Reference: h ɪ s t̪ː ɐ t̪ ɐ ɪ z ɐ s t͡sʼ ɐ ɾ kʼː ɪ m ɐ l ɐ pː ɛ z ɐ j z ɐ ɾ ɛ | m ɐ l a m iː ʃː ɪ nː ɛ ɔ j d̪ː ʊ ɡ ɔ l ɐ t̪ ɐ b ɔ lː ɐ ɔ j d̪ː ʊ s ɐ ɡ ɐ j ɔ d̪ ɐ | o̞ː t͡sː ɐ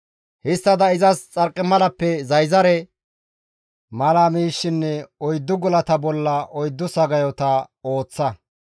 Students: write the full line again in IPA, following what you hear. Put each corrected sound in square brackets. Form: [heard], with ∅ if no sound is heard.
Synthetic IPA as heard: h ɪ s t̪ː ɐ [d̪] ɐ ɪ z ɐ s t͡sʼ ɐ ɾ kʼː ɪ m ɐ l ɐ pː ɛ z ɐ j z ɐ ɾ ɛ | m ɐ l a m iː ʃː ɪ nː ɛ ɔ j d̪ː ʊ ɡ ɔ l ɐ t̪ ɐ b ɔ lː ɐ ɔ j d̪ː ʊ s ɐ ɡ ɐ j ɔ [t̪] ɐ | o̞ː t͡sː ɐ